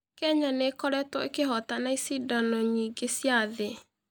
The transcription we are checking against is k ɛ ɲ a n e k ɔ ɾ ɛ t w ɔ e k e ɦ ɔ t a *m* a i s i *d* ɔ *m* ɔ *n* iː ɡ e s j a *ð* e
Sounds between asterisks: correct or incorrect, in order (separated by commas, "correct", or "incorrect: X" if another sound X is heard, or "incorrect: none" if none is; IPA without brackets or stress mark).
incorrect: n, correct, incorrect: n, incorrect: ɲ, correct